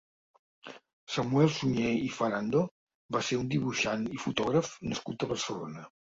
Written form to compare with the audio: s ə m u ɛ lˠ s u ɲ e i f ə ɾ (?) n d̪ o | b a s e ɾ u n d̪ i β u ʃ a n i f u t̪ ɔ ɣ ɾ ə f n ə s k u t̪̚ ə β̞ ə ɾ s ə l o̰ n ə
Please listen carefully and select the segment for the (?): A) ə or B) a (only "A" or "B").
B